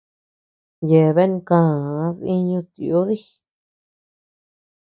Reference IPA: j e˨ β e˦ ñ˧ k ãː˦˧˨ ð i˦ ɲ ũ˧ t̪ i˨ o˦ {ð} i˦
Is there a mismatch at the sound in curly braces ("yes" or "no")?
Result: no